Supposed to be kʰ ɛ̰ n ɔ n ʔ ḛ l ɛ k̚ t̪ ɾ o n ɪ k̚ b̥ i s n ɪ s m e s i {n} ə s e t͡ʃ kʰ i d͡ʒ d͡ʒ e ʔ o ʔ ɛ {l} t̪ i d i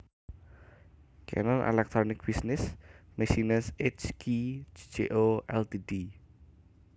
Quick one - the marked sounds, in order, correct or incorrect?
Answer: correct, correct

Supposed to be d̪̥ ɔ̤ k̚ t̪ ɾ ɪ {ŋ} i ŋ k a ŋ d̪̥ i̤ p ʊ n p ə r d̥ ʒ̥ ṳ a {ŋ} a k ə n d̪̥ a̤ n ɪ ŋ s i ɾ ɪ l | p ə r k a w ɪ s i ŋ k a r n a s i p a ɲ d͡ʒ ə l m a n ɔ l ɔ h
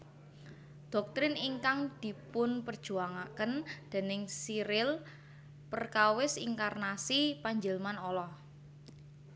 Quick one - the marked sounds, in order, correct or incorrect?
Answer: incorrect: n, correct

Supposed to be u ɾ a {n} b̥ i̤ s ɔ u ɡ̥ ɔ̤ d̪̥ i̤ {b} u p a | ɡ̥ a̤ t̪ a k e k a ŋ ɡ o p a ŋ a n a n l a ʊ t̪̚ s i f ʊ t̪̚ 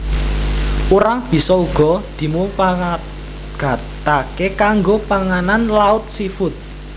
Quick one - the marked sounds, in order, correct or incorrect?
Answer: incorrect: ŋ, incorrect: m

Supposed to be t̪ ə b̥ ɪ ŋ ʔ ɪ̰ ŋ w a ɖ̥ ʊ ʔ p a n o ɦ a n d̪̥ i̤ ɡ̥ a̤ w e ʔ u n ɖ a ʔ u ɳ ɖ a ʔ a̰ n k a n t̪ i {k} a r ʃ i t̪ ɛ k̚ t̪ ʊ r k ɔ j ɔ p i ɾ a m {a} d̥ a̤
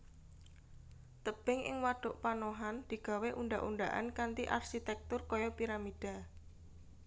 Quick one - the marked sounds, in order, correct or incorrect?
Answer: incorrect: ʔ, incorrect: i

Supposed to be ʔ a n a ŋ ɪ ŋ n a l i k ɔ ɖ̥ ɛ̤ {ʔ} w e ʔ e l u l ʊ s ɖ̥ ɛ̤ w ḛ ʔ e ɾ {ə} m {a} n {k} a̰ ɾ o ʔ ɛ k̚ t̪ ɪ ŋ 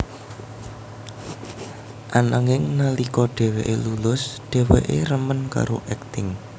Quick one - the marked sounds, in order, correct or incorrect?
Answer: incorrect: none, correct, incorrect: ə, correct

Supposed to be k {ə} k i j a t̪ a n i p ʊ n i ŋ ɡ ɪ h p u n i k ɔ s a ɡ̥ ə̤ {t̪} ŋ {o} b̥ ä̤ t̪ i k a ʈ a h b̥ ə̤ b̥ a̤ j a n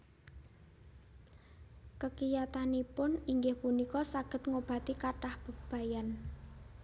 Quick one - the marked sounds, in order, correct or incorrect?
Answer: correct, correct, correct

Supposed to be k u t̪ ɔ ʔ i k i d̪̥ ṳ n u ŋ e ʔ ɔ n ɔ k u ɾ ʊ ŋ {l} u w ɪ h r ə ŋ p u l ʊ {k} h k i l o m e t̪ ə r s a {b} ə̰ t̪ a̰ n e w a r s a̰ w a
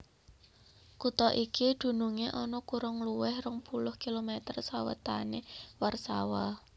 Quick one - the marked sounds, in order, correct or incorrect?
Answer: correct, incorrect: none, incorrect: w

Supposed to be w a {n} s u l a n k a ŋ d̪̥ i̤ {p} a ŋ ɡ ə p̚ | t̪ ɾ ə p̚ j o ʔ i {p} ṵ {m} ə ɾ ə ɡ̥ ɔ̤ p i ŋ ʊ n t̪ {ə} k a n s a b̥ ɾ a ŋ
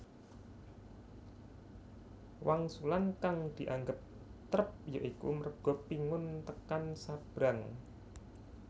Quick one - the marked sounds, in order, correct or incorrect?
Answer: incorrect: ŋ, incorrect: ʔ, incorrect: k, correct, correct

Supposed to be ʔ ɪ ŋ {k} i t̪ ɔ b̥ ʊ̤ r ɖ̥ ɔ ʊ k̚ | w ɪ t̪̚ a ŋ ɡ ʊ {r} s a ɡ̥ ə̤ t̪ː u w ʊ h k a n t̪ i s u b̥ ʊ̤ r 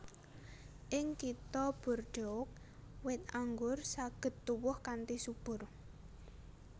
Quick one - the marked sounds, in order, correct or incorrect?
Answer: correct, correct

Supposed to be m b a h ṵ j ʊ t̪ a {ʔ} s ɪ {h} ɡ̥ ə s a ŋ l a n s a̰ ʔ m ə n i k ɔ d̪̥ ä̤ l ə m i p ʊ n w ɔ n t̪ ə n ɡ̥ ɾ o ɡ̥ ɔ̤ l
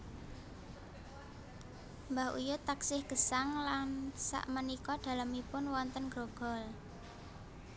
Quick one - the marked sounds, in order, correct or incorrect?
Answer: incorrect: k, correct

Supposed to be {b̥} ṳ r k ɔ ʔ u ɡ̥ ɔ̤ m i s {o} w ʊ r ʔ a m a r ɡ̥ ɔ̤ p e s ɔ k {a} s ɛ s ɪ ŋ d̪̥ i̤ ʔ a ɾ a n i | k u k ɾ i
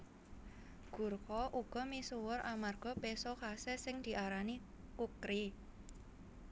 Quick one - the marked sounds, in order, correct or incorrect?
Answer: incorrect: ɡ̥, incorrect: u, correct

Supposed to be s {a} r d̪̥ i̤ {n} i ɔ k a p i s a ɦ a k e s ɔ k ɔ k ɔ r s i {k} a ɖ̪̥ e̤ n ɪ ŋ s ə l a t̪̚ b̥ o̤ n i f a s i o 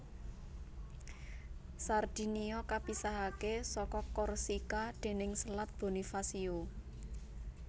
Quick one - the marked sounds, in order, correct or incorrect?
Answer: correct, correct, correct

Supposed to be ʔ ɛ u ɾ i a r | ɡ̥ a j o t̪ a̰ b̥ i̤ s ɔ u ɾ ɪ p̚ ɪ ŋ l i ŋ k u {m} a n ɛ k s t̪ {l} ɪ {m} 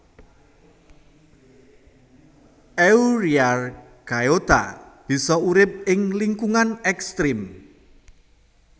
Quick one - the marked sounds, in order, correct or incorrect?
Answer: incorrect: ŋ, incorrect: ɾ, correct

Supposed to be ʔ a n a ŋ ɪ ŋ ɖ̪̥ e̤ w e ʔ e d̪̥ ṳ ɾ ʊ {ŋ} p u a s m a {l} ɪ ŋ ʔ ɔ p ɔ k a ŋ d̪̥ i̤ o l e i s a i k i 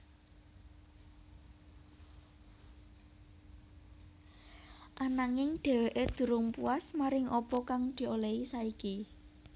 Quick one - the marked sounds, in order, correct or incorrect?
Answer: correct, incorrect: ɾ

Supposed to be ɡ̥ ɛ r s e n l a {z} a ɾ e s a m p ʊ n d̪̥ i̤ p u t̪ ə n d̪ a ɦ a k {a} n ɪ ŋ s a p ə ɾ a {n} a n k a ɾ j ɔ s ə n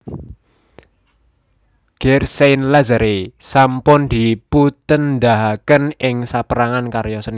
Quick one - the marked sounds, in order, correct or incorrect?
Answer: correct, incorrect: ə, incorrect: ŋ

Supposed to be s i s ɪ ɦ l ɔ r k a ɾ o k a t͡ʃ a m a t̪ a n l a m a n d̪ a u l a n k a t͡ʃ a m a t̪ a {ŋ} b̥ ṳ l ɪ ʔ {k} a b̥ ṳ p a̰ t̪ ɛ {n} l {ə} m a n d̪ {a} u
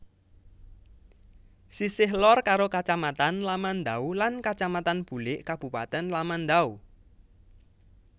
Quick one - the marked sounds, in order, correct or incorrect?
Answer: incorrect: n, correct, correct, incorrect: a, correct

